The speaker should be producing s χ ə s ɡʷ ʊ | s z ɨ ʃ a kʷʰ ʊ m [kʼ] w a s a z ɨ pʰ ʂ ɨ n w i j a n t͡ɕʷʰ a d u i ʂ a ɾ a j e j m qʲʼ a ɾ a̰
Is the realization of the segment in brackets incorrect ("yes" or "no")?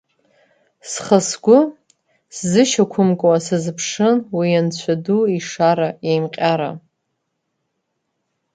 no